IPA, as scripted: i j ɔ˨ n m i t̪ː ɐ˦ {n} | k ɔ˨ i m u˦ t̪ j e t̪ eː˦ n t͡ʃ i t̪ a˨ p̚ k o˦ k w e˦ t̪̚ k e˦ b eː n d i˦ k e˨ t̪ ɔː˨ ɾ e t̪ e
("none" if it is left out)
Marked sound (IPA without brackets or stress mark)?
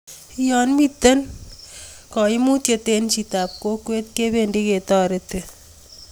n